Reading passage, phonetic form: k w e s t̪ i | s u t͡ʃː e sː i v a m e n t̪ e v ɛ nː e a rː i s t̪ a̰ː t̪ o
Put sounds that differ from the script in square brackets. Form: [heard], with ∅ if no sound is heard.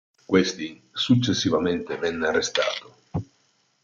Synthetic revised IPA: k w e s t̪ i | s u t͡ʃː e sː i v a m e n t̪ e v ɛ nː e a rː [e] s t̪ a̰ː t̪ o